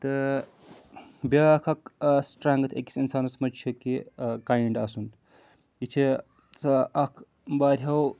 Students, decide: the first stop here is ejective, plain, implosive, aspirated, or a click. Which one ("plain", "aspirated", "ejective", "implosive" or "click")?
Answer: plain